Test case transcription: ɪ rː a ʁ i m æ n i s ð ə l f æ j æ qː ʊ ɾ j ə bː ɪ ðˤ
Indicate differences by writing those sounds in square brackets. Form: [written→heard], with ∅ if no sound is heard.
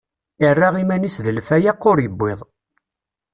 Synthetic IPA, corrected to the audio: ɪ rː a ʁ i m æ n i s ð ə l f æ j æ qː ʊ ɾ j ə bː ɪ ðˤ